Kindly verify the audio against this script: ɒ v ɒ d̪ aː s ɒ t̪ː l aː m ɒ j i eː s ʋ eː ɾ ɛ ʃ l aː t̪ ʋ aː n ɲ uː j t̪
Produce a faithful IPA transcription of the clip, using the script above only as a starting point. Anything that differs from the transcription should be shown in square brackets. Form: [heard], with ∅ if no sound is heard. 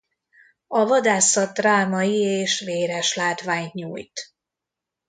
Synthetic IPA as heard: ɒ v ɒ d̪ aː s ɒ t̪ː [r] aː m ɒ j i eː [ʃ] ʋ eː ɾ ɛ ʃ l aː t̪ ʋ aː [ɲ] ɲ uː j t̪